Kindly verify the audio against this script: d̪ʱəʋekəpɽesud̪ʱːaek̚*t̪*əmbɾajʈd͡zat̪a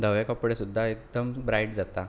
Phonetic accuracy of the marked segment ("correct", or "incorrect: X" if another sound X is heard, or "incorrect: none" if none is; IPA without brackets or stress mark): incorrect: d̪